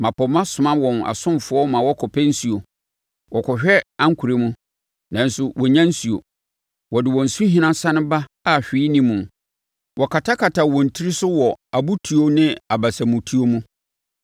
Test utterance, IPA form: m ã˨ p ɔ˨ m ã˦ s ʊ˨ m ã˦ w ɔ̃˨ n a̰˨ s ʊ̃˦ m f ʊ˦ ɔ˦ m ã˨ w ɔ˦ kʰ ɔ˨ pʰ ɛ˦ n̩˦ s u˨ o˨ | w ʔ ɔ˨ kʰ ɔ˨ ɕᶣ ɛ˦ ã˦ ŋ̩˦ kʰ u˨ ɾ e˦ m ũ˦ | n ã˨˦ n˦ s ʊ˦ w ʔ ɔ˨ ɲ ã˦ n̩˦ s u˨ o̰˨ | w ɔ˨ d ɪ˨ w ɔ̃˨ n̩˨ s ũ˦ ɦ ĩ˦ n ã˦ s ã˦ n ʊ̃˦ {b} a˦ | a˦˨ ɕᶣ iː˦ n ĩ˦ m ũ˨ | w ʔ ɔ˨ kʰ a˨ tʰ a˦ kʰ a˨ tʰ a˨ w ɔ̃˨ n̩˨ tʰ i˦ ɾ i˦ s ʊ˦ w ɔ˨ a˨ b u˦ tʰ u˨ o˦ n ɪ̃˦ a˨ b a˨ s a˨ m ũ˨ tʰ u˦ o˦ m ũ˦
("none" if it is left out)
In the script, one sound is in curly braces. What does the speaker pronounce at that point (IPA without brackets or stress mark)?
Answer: b